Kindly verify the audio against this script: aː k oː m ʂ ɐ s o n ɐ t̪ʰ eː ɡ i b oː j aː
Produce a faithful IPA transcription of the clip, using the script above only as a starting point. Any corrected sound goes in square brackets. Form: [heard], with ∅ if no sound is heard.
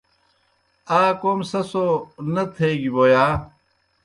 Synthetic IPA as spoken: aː k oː m [s] ɐ s o n ɐ t̪ʰ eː ɡ i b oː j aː